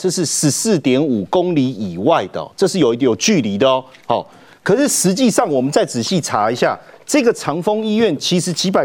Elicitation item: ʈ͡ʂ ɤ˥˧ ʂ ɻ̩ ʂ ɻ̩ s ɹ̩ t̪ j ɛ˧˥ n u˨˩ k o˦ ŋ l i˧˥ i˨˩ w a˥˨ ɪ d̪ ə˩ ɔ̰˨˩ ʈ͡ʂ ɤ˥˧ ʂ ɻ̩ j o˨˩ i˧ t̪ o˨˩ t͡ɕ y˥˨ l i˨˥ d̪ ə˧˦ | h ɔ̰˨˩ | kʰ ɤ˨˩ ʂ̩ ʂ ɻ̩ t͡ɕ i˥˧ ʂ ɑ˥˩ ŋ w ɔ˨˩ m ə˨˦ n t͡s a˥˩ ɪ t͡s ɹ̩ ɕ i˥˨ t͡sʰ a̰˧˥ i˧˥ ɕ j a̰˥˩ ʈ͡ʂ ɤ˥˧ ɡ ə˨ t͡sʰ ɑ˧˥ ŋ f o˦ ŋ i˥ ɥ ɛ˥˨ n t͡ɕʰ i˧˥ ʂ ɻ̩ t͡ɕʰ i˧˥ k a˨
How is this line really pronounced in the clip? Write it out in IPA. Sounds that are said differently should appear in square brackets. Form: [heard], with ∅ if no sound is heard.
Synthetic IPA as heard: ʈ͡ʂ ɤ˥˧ ʂ ɻ̩ ʂ ɻ̩ s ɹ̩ t̪ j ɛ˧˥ n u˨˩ k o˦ ŋ l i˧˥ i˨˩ w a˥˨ ɪ d̪ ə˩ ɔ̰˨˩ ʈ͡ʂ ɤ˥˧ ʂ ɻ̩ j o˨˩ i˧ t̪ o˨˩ t͡ɕ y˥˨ l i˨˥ d̪ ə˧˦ | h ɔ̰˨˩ | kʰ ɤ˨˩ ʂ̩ ʂ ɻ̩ t͡ɕ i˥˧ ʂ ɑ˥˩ ŋ w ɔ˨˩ m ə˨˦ n t͡s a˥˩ ɪ t͡s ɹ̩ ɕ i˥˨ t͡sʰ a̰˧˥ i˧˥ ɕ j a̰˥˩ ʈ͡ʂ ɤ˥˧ ɡ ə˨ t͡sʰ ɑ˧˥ ŋ f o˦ ŋ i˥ ɥ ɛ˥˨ n t͡ɕʰ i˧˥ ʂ ɻ̩ t͡ɕʰ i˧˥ [p] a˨